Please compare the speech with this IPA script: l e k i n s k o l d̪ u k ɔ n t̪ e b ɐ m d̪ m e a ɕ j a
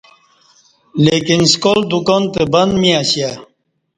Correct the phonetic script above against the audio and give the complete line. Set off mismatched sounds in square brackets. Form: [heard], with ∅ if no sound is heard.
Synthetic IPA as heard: l e k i n s k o l d̪ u k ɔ n t̪ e b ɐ [n] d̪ m [i] a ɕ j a